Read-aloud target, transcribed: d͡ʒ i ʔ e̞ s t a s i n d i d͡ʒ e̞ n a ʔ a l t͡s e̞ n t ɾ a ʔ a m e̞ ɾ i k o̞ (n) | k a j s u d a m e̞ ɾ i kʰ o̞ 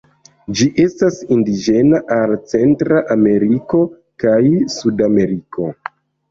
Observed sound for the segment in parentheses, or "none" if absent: none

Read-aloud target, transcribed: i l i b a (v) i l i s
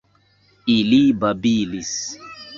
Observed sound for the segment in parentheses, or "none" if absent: b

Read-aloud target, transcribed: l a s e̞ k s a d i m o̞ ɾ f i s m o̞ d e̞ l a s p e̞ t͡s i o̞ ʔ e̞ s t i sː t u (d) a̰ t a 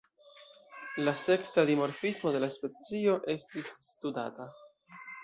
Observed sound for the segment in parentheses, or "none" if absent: d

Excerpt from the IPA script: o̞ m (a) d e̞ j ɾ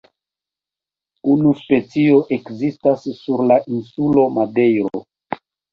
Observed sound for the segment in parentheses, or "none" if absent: a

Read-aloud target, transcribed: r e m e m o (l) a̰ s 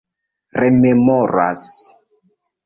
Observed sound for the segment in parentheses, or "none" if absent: ɾ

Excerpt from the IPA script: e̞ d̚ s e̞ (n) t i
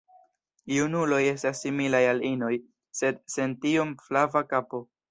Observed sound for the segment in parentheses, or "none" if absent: n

